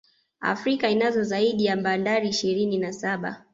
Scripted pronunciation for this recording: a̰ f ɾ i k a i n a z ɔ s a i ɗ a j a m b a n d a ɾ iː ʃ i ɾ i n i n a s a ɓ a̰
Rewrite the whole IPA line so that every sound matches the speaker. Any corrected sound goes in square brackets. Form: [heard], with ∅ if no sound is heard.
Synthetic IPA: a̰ f ɾ i k a i n a z ɔ [z] a i ɗ [i] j a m b a n d a ɾ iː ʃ i ɾ i n i n a s a ɓ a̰